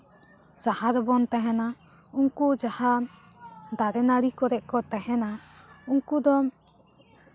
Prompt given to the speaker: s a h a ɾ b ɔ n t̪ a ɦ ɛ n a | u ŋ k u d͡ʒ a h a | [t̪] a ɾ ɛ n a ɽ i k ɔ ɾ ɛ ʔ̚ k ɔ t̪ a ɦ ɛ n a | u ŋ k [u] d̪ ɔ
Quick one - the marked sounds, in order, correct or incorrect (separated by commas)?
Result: incorrect, correct